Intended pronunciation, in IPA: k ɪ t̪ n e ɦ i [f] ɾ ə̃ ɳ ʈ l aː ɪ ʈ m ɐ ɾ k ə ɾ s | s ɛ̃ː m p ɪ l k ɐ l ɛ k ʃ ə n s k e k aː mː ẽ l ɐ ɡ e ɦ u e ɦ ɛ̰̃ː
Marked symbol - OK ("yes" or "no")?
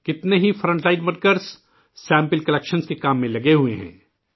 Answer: yes